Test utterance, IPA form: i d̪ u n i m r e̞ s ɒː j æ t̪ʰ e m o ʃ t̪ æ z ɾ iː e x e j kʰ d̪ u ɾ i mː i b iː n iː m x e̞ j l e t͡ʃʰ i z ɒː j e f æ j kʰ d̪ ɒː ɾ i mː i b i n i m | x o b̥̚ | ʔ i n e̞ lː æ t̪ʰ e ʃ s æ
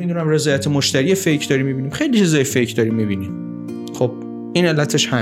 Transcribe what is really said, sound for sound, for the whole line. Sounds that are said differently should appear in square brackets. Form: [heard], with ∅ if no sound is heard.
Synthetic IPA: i d̪ u n [æ] m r e̞ [z] ɒː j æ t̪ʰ e m o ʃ t̪ æ [∅] ɾ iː e [f] e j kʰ d̪ [ɒ] ɾ i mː i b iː n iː m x e̞ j l [i] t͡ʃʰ i z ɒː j e f [e] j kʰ d̪ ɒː ɾ i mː i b i n i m | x o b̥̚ | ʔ i n e̞ lː æ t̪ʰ e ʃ [h] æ